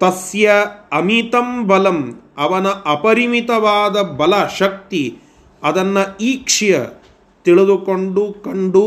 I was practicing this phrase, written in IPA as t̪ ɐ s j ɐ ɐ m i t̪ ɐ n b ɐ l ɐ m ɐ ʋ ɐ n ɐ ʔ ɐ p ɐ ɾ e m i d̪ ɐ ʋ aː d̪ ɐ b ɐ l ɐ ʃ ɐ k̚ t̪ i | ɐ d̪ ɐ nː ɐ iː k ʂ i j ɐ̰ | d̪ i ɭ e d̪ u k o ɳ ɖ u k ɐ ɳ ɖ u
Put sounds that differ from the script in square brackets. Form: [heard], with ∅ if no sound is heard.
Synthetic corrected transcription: t̪ ɐ s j ɐ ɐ m i t̪ ɐ [m] b ɐ l ɐ m ɐ ʋ ɐ n ɐ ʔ ɐ p ɐ ɾ [i] m i [t̪] ɐ ʋ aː d̪ ɐ b ɐ l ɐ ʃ ɐ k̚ t̪ i | ɐ d̪ ɐ nː ɐ iː k ʂ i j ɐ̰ | [t̪] i ɭ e d̪ u k o ɳ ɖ u k ɐ ɳ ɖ u